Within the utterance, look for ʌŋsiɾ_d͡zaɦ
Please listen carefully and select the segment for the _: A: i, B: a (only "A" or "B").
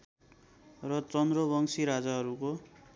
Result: B